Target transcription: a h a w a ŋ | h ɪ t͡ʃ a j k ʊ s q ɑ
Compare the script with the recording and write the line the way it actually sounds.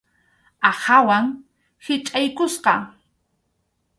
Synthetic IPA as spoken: a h a w a ŋ | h ɪ t͡ʃʼ a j k ʊ s q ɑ